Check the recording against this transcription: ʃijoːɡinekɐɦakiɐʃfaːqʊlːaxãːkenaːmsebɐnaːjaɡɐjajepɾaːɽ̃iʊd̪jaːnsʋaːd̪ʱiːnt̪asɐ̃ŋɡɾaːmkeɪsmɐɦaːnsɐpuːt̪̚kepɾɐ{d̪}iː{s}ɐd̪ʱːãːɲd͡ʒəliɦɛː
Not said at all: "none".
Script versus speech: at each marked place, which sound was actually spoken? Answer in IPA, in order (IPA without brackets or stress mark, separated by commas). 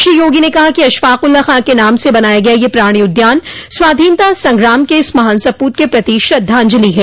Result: t̪, ʃ